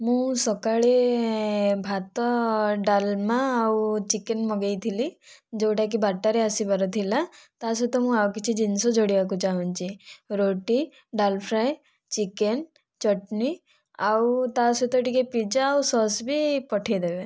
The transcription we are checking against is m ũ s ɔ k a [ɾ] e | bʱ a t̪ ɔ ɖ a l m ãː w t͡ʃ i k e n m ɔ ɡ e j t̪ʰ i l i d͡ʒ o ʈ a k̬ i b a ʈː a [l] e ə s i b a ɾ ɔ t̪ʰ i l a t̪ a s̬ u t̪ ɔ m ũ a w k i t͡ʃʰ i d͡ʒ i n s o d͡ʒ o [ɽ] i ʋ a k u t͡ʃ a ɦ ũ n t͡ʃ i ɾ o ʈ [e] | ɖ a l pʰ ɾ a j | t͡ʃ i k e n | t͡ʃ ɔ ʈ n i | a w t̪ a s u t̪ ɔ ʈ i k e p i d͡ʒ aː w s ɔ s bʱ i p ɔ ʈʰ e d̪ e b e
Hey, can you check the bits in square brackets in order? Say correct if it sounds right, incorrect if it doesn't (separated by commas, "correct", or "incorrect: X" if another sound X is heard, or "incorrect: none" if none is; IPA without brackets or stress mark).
incorrect: ɭ, incorrect: ɾ, correct, incorrect: i